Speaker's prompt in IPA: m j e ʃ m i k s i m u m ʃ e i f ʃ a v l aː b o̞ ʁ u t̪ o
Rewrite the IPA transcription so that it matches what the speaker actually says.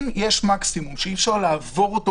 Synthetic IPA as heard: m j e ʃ m a k s i m u m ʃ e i f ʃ a ʁ l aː v o̞ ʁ o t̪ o